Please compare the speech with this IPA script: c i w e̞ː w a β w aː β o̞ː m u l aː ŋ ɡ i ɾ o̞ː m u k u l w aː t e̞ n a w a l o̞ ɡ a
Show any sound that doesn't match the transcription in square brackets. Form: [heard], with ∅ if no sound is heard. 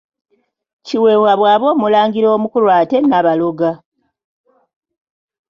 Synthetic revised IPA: c i w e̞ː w a β w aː β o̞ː m u l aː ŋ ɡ i ɾ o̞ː m u k u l w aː t e̞ n a [β] a l o̞ ɡ a